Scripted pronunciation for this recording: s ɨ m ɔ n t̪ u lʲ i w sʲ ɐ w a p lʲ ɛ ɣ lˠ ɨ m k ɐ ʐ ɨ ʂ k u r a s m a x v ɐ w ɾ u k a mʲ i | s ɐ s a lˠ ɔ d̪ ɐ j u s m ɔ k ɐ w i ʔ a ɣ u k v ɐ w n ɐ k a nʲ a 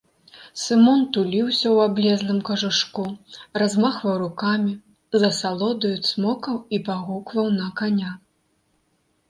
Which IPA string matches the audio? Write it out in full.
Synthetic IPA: s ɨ m ɔ n t̪ u lʲ i w sʲ ɐ w a b lʲ ɛ z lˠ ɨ m k ɐ ʐ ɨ ʂ k u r a z m a x v ɐ w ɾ u k a mʲ i | z ɐ s a lˠ ɔ d̪ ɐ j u s m ɔ k ɐ w i p a ɣ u k v ɐ w n ɐ k a nʲ a